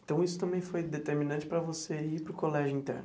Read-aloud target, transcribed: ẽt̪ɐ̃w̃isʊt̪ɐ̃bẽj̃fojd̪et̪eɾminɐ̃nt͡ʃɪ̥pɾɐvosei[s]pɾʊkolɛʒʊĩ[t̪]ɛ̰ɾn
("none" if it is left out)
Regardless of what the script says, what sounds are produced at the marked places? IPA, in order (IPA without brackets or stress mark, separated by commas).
none, t̪